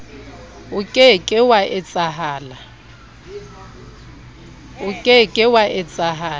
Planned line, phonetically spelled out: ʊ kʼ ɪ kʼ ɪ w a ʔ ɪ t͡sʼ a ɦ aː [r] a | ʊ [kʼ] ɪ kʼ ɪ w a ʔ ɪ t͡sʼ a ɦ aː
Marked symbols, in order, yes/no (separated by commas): no, yes